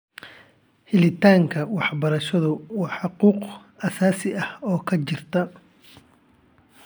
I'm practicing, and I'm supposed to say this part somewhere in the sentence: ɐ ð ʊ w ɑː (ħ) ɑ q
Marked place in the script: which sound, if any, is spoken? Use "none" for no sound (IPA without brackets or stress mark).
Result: ħ